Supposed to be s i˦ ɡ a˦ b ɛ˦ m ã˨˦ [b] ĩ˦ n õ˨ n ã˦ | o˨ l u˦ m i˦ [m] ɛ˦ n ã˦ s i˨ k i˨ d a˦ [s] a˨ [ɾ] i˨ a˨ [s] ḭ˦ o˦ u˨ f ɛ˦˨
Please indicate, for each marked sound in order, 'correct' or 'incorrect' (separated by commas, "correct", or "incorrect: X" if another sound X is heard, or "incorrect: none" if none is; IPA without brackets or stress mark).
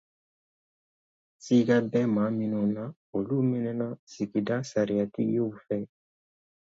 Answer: incorrect: m, incorrect: n, correct, correct, incorrect: t